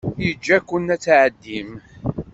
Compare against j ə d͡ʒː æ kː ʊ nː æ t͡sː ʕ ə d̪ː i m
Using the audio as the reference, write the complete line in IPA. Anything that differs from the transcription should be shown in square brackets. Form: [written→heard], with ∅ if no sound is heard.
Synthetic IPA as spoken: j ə d͡ʒː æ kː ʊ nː æ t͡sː ʕ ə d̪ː i m